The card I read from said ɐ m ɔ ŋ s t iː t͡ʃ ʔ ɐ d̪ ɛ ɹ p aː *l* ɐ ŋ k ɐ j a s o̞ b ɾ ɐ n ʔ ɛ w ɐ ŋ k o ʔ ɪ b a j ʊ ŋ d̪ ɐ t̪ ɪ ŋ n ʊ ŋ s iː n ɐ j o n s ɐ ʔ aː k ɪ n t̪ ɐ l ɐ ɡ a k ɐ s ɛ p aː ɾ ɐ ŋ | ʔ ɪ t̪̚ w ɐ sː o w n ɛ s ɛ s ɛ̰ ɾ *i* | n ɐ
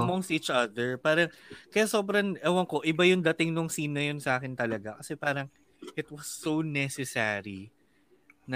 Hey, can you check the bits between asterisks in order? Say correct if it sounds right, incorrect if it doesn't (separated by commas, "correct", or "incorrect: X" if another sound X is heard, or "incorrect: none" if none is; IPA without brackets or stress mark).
incorrect: ɾ, correct